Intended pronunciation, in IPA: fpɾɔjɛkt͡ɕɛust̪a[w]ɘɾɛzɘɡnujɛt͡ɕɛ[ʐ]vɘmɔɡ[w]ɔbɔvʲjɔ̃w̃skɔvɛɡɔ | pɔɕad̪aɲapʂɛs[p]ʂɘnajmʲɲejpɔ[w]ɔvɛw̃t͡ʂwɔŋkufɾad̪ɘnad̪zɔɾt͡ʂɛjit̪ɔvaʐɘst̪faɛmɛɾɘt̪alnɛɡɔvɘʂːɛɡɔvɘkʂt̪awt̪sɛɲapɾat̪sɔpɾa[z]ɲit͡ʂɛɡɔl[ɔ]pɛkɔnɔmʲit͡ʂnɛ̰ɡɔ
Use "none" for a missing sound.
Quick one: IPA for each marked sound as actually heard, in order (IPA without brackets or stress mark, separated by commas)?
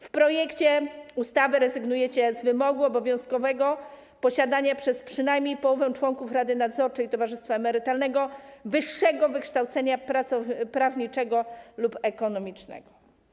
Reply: v, z, u, p, w, v, u